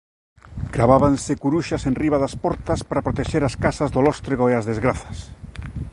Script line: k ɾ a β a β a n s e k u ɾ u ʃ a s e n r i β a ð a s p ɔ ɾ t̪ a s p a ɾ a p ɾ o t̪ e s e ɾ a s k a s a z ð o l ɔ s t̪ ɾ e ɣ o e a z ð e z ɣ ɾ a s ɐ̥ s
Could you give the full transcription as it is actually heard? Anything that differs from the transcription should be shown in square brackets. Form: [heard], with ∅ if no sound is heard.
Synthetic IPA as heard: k ɾ a β a β a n s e k u ɾ u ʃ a s e n r i β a ð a s p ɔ ɾ t̪ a s p a ɾ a p ɾ o t̪ e [ʃ] e ɾ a s k a s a z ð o l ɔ s t̪ ɾ e ɣ o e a z ð e z ɣ ɾ a [θ] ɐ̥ s